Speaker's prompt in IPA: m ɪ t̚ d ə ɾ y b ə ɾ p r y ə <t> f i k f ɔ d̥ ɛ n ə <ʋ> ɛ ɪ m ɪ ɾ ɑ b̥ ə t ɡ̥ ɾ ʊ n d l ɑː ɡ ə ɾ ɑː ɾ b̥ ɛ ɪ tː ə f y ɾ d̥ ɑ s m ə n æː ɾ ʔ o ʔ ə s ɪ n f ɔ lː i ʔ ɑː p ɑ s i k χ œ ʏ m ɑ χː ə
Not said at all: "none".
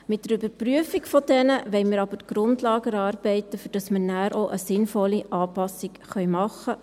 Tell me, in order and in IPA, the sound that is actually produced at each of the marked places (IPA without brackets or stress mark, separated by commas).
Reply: none, ʋ